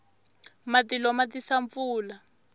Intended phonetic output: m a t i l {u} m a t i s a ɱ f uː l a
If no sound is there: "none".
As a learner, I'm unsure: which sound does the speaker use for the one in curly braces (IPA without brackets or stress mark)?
ɔ